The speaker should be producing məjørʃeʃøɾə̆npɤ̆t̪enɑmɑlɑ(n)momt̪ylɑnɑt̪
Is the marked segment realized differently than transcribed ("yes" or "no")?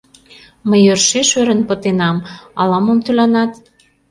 yes